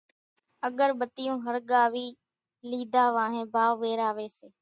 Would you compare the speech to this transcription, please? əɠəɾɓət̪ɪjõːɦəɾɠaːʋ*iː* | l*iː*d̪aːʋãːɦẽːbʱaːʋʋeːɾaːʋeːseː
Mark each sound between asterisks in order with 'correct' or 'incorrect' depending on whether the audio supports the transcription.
correct, correct

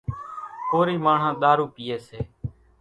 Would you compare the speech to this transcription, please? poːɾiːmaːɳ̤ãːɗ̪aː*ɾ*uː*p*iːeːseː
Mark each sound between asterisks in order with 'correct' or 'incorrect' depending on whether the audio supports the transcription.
correct, correct

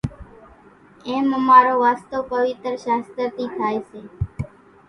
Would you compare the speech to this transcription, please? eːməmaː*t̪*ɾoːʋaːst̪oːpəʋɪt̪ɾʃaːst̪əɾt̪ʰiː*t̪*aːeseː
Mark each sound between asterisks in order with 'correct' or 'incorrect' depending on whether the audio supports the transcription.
incorrect: none, incorrect: t̪ʰ

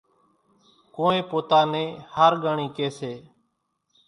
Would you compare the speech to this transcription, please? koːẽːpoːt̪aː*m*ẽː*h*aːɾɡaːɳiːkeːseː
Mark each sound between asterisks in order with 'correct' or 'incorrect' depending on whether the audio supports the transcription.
incorrect: n, correct

